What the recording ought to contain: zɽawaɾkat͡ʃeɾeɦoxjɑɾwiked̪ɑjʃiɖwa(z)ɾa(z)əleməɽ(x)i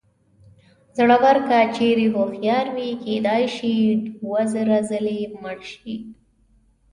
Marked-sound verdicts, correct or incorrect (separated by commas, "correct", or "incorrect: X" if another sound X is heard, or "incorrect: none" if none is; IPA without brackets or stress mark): correct, correct, incorrect: ʃ